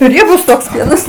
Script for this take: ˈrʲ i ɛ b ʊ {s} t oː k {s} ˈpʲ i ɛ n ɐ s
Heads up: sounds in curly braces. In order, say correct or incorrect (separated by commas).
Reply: correct, correct